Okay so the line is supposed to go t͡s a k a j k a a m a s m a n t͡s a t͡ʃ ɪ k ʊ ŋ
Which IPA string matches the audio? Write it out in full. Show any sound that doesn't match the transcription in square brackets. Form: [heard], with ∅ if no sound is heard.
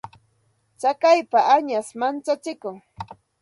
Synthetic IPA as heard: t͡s a k a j [p] a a [ɲ] a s m a n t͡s a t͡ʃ ɪ k ʊ ŋ